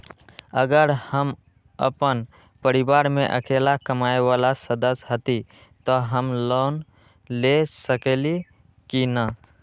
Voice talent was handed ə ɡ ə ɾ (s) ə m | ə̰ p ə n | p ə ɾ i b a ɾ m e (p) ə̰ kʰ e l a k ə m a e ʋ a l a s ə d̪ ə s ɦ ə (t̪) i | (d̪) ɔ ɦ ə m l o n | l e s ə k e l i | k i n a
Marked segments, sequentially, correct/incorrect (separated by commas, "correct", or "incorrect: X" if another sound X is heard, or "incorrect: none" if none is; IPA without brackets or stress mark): incorrect: h, incorrect: ʔ, correct, incorrect: t̪